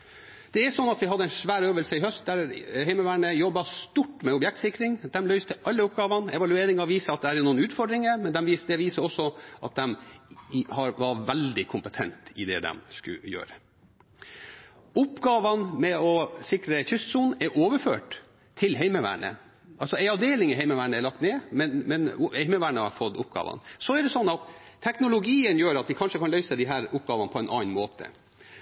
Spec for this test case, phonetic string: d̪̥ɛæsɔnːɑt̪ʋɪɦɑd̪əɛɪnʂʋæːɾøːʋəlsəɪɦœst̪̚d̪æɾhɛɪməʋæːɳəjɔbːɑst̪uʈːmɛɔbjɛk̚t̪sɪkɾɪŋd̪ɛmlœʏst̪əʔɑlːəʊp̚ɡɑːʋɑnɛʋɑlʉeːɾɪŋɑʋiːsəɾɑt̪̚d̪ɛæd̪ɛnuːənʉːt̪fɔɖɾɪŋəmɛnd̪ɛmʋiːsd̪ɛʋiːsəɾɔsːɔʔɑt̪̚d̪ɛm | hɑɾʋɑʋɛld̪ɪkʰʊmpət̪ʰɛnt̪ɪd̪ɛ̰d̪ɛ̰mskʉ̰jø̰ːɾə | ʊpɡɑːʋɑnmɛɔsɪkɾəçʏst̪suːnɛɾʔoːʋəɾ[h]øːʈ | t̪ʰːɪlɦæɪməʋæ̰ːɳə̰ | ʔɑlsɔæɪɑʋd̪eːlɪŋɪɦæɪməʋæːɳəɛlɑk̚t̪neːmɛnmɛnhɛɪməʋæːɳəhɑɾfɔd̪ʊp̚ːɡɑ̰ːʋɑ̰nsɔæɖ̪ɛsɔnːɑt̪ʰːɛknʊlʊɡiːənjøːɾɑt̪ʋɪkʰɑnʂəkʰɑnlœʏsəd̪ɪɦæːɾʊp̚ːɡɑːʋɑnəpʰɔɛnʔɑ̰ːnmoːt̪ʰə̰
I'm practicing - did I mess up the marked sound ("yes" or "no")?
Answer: yes